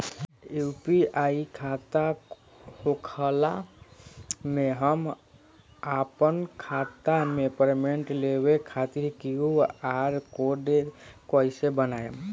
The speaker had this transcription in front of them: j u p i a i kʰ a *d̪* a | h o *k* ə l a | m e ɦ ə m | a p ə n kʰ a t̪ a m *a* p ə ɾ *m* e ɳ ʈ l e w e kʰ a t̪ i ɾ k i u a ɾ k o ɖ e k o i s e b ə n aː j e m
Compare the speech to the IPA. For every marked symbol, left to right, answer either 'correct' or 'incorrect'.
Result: incorrect, incorrect, incorrect, correct

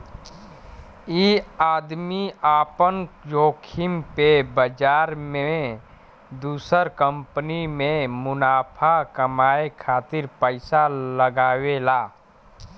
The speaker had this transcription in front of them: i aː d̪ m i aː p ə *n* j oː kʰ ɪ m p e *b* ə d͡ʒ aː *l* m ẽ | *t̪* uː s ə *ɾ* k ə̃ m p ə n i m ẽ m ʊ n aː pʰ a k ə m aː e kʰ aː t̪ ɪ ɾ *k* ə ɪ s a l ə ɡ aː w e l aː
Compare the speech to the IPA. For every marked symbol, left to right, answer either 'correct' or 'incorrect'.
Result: correct, correct, incorrect, incorrect, correct, incorrect

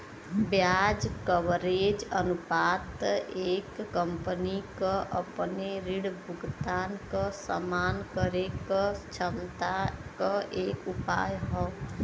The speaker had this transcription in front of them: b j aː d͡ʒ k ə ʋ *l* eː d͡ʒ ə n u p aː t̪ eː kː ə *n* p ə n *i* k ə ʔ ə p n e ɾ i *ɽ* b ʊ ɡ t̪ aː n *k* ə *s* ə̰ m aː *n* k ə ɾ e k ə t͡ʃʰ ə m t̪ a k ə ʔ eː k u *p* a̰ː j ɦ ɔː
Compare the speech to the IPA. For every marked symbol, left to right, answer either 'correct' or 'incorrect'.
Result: incorrect, incorrect, correct, correct, correct, correct, correct, correct

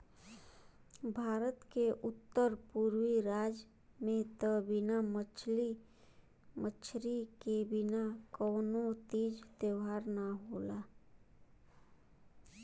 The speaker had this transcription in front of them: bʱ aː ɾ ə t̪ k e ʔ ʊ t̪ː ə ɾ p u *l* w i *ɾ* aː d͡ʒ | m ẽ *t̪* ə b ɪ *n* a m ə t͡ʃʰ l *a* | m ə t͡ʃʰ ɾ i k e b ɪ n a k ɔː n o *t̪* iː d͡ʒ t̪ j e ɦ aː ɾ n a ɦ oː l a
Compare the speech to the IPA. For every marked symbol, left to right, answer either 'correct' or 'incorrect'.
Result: incorrect, correct, correct, correct, incorrect, correct

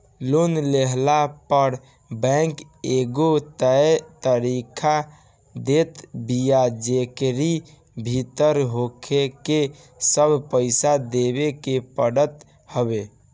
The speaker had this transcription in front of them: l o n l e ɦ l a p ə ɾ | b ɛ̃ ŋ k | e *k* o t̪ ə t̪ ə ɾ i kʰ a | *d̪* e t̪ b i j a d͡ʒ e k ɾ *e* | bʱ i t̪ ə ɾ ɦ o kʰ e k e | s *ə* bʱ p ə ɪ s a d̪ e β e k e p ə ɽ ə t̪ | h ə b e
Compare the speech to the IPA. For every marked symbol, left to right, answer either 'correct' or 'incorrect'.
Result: incorrect, correct, incorrect, correct

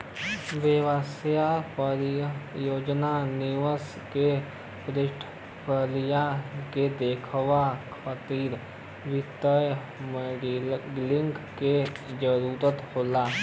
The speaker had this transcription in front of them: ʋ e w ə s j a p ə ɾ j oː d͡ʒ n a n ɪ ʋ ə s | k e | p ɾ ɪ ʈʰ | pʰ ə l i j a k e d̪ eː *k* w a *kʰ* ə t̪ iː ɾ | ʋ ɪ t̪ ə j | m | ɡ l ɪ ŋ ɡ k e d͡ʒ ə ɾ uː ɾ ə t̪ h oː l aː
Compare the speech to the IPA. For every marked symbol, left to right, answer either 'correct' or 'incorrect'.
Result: incorrect, correct

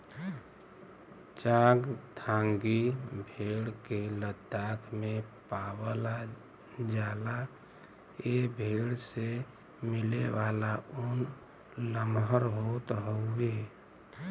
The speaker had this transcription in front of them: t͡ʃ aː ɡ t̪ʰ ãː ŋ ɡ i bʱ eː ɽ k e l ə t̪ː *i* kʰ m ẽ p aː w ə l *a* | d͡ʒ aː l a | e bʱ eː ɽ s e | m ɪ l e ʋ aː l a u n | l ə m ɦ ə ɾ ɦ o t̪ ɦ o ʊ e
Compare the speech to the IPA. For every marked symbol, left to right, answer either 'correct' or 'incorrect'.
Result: incorrect, correct

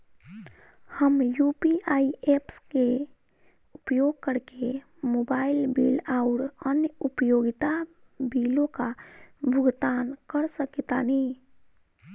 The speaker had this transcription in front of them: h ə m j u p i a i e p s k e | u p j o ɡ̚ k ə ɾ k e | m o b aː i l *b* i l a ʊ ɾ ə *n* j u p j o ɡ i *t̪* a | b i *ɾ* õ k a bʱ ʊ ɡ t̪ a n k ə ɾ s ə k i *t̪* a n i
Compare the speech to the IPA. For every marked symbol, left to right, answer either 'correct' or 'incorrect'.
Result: correct, correct, correct, incorrect, correct

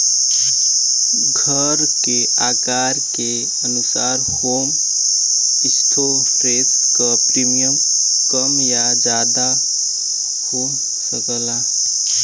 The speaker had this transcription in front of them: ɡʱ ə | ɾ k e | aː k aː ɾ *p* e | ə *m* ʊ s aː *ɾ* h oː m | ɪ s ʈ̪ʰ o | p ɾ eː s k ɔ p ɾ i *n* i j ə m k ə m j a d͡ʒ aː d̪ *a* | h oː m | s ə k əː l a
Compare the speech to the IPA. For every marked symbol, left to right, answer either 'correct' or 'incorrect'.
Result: incorrect, incorrect, correct, incorrect, correct

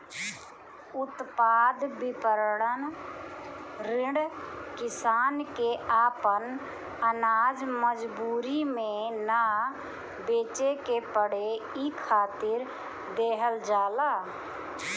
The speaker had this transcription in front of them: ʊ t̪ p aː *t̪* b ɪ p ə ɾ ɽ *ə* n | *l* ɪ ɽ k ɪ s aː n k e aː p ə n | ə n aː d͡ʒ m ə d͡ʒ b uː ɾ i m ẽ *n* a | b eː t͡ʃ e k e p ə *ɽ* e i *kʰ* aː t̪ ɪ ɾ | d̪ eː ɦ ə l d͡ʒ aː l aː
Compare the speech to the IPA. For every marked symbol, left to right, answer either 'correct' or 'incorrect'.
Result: incorrect, correct, incorrect, correct, correct, correct

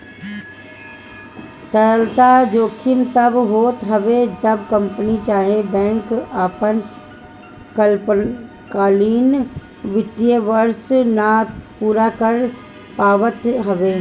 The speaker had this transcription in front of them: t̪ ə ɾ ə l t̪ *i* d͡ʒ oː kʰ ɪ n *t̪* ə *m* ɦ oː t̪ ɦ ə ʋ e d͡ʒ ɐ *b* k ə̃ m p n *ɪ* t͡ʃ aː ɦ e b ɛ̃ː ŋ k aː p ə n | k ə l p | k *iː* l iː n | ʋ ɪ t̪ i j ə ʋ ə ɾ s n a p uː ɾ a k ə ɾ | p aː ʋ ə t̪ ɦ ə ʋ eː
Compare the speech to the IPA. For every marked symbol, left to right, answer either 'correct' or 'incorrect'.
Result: incorrect, correct, incorrect, correct, incorrect, incorrect

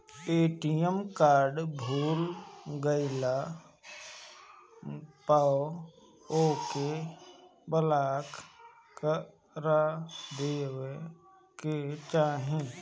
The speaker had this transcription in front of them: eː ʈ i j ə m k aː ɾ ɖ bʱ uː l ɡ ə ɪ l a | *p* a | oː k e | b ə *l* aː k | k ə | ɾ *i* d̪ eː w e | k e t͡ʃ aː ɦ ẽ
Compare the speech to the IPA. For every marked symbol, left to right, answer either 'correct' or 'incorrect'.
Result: correct, correct, incorrect

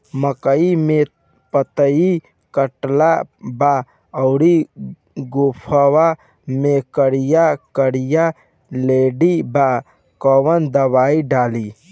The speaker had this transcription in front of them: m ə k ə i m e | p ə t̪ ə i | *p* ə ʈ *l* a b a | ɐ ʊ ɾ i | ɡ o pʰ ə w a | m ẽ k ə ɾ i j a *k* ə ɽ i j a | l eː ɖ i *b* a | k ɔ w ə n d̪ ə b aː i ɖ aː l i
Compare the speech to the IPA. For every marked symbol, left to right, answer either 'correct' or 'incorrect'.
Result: incorrect, correct, correct, correct

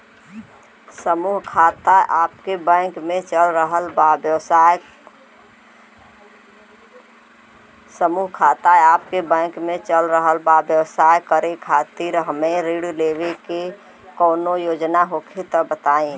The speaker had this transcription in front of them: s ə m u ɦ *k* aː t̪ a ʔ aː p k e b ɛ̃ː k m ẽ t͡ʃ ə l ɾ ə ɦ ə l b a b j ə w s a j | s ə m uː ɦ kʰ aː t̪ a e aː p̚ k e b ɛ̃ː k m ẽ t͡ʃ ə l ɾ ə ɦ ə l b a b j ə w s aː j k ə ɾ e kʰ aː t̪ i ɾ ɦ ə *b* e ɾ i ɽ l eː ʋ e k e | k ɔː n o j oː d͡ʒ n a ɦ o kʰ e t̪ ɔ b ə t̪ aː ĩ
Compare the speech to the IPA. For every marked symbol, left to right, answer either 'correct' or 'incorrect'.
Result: incorrect, incorrect

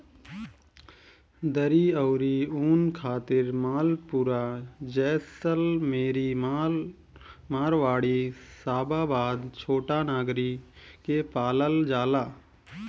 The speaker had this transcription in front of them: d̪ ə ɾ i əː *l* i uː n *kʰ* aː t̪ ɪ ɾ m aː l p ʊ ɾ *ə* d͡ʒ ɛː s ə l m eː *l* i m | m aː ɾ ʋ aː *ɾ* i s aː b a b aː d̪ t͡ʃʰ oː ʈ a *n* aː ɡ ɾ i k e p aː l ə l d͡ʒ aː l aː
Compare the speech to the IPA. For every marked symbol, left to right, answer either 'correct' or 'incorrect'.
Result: incorrect, correct, incorrect, incorrect, incorrect, correct

